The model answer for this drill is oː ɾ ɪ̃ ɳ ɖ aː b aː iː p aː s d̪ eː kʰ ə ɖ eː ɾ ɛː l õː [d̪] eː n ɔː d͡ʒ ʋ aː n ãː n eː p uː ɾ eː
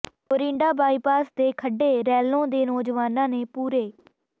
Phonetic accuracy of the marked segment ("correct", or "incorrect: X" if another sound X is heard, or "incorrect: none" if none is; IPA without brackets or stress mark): correct